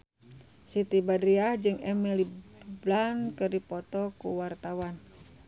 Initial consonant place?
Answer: alveolar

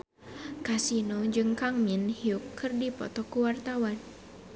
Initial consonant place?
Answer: velar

